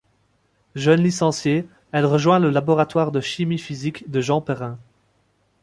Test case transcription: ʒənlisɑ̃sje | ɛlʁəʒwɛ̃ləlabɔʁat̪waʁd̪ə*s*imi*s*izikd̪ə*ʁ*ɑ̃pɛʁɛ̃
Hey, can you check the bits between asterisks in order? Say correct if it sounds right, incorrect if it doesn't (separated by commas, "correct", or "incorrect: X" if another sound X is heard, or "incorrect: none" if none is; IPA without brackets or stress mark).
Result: incorrect: ʃ, incorrect: f, incorrect: ʒ